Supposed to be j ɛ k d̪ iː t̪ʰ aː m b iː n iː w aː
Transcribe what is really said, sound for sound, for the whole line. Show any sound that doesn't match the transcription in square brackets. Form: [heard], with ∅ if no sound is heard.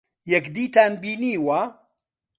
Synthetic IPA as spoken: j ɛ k d̪ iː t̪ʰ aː [n] b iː n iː w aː